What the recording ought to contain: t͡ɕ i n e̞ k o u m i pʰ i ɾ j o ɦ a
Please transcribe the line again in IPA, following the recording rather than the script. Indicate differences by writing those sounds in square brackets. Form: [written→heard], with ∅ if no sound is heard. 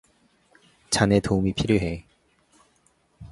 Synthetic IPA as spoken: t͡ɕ [i→a] n e̞ [k→t] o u m i pʰ i ɾ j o ɦ [a→e]